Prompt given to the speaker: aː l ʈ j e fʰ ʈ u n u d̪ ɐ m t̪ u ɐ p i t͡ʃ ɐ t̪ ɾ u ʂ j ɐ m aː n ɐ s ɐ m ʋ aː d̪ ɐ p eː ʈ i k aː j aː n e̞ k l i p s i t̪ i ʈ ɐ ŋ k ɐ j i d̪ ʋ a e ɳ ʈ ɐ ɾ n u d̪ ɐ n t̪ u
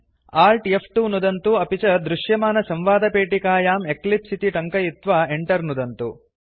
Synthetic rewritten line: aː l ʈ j e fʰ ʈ u n u d̪ ɐ n t̪ u ɐ p i t͡ʃ ɐ d̪ ɾ u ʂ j ɐ m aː n ɐ s ɐ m ʋ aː d̪ ɐ p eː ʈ i k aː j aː m e̞ k l i p s i t̪ i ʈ ɐ ŋ k ɐ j i t̪ ʋ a e ɳ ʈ ɐ ɾ n u d̪ ɐ n t̪ u